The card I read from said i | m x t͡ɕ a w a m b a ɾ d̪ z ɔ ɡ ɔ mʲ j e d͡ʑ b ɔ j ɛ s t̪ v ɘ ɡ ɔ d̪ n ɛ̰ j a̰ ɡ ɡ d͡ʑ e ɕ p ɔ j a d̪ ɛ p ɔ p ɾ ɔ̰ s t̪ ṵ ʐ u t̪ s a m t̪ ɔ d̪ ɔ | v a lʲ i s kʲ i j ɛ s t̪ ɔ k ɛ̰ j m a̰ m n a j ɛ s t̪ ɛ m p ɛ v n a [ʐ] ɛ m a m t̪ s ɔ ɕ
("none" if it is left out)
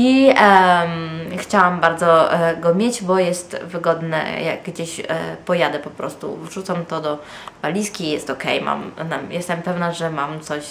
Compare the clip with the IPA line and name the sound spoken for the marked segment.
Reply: ʐ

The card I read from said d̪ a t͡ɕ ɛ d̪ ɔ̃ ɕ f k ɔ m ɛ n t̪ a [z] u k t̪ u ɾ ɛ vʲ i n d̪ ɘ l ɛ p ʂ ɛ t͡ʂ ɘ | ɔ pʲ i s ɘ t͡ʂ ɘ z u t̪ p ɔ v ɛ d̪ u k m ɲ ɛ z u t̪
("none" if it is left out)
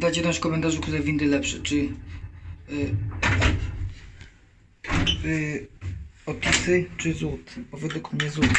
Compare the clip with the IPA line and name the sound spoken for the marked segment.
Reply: ʐ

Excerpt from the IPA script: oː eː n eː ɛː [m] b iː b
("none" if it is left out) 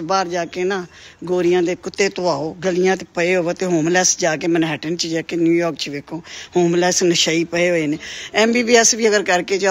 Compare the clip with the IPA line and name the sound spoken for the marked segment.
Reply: m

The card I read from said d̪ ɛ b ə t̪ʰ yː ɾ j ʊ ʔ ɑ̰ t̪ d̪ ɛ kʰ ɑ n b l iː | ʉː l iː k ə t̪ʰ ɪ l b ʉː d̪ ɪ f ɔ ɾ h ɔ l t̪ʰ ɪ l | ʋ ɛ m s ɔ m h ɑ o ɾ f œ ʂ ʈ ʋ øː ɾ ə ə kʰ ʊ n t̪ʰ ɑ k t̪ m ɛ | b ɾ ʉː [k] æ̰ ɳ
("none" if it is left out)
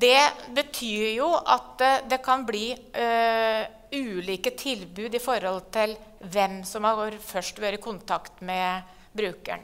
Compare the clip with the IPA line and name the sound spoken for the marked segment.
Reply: k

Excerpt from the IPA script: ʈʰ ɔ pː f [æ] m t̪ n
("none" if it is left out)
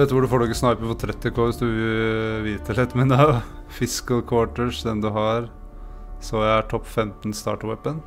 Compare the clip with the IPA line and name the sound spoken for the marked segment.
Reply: ɛ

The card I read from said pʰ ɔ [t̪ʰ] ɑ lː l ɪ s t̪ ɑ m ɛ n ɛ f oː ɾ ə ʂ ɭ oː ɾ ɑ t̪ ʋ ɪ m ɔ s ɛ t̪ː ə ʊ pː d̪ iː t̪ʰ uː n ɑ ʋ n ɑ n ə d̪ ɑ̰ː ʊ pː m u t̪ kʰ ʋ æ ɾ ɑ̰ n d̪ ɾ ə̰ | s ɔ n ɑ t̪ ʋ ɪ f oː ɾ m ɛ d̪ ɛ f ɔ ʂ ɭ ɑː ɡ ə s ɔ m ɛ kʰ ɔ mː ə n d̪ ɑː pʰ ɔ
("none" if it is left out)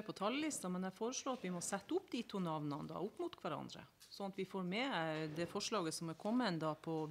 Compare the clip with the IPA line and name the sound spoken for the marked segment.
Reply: t̪ʰ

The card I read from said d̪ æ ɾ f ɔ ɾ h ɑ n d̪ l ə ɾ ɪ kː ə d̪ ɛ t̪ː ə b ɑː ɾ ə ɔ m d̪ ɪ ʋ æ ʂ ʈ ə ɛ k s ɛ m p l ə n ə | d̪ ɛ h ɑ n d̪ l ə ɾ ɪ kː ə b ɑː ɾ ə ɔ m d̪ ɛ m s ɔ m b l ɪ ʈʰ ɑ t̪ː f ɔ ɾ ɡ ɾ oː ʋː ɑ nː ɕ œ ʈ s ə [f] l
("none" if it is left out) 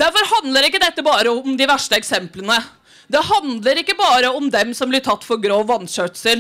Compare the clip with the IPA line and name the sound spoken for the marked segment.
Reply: none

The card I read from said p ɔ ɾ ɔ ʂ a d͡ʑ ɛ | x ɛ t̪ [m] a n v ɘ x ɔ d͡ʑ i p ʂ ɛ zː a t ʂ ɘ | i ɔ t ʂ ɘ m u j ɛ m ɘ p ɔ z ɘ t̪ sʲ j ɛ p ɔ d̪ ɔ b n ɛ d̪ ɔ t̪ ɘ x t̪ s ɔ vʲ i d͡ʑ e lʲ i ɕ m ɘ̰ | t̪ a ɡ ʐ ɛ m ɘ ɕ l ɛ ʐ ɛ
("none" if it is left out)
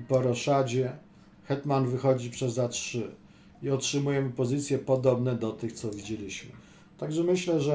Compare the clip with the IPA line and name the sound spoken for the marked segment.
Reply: m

